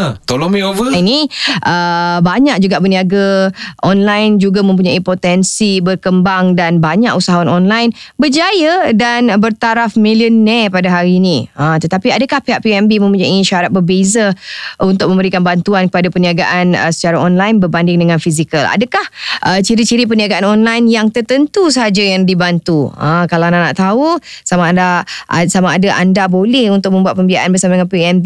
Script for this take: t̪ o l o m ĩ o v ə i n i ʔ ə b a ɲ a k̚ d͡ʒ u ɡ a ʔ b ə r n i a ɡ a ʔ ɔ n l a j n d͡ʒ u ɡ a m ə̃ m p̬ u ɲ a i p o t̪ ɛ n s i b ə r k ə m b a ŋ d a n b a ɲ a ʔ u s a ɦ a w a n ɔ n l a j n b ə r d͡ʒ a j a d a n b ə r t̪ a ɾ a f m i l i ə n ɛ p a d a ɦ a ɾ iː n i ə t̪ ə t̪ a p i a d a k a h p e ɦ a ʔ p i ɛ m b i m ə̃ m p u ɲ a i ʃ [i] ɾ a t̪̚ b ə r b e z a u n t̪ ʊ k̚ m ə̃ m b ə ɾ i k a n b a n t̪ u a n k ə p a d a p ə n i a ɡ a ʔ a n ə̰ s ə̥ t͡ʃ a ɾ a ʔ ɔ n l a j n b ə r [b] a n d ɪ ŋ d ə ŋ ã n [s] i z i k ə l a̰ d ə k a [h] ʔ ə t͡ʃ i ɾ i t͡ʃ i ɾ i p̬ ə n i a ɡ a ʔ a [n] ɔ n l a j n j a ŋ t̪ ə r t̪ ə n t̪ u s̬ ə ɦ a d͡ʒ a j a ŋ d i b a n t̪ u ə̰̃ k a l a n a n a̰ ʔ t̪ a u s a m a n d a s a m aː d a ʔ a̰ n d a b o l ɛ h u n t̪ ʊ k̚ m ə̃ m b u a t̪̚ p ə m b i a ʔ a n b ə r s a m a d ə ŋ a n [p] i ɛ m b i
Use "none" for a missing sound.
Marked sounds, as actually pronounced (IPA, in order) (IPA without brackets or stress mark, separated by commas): a, b, f, h, n, p